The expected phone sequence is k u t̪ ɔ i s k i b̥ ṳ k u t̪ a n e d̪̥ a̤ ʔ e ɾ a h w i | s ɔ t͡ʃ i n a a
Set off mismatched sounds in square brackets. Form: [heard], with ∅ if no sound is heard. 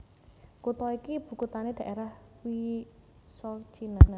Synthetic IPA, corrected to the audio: k u t̪ ɔ i [∅] k i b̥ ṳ k u t̪ a n e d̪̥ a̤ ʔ e ɾ a h w i | s ɔ t͡ʃ i n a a